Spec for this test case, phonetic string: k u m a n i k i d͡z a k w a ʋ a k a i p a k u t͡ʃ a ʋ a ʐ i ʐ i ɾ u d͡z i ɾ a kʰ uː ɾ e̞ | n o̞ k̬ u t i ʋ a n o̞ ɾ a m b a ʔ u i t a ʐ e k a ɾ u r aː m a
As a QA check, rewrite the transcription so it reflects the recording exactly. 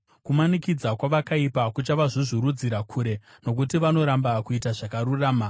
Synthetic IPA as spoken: k u m a n i k i d͡z a k w a ʋ a k a i p a k u t͡ʃ a ʋ a ʐ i ʐ i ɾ u d͡z i ɾ a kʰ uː ɾ e̞ | n o̞ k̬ u t i ʋ a n o̞ ɾ a m b a k u i t a ʐ a k a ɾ u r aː m a